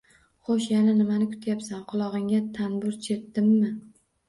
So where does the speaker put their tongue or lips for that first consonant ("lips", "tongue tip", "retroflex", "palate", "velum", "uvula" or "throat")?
uvula